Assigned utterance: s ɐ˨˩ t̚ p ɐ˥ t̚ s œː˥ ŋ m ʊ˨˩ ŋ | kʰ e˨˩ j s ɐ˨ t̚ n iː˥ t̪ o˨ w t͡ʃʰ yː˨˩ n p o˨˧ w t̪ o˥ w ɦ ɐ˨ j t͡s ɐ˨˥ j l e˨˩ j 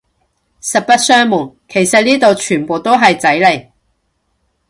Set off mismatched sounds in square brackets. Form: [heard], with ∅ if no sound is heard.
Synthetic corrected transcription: s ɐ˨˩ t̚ p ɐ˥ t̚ s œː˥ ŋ m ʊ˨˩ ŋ | kʰ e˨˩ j s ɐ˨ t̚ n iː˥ t̪ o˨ w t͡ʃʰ yː˨˩ n p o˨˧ w t̪ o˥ w ɦ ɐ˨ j t͡s ɐ˨˥ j l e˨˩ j